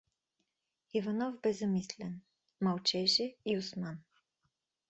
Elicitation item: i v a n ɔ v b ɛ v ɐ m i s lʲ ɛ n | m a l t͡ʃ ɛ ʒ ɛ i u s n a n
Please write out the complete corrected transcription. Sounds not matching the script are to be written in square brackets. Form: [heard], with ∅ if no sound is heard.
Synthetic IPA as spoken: i v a n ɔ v b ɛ [z] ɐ m i s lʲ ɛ n | m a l t͡ʃ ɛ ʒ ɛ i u s [m] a n